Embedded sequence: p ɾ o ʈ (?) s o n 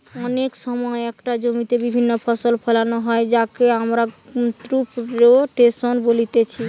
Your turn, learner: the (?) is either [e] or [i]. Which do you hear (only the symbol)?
e